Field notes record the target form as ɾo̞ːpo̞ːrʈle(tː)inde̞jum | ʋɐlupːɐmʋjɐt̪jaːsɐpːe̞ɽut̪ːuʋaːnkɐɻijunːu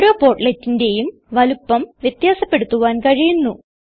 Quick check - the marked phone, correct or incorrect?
correct